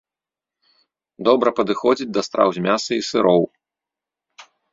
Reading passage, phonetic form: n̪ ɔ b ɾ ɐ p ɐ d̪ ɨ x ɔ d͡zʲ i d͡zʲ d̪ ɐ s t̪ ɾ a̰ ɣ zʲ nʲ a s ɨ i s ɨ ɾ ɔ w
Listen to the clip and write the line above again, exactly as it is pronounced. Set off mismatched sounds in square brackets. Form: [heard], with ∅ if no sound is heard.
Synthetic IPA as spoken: [d̪] ɔ b ɾ ɐ p ɐ d̪ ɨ x ɔ d͡zʲ i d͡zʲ d̪ ɐ s t̪ ɾ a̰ [w] zʲ [mʲ] a s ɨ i s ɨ ɾ ɔ w